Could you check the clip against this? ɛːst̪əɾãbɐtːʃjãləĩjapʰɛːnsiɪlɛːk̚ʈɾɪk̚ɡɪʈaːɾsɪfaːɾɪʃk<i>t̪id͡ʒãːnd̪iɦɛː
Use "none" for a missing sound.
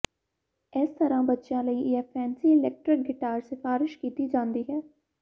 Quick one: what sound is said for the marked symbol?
iː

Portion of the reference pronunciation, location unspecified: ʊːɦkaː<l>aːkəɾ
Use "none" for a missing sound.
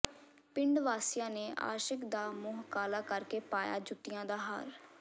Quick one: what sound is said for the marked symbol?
l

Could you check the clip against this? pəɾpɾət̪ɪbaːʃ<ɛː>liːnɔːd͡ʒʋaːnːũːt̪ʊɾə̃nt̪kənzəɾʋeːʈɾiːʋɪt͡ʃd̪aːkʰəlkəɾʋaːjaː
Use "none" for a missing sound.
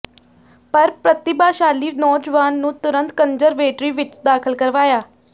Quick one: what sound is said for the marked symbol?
aː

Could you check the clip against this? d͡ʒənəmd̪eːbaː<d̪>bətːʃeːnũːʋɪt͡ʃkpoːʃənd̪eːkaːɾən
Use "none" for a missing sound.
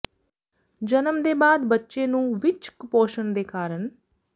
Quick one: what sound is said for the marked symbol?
d̪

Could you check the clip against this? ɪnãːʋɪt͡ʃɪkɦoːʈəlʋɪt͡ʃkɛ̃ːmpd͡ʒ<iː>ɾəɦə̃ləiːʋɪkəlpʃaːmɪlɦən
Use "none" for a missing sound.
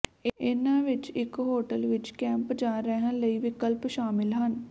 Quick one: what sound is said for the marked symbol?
aː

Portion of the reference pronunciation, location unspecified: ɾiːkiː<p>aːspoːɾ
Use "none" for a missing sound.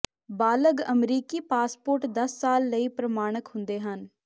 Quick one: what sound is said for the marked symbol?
p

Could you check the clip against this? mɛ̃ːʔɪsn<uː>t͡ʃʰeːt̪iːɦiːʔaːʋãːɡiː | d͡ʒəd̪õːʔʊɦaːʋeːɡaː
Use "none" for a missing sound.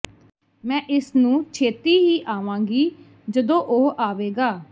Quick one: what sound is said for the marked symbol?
ũː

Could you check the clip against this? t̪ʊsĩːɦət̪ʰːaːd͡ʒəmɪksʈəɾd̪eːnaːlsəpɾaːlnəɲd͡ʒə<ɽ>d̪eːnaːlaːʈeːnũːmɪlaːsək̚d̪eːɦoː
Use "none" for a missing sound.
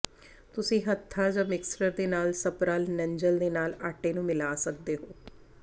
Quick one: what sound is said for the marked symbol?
l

